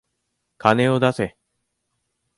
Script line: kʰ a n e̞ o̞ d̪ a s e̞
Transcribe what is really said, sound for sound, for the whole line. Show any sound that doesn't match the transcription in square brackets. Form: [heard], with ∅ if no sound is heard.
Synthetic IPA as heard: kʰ a n e̞ o̞ d̪ a s e̞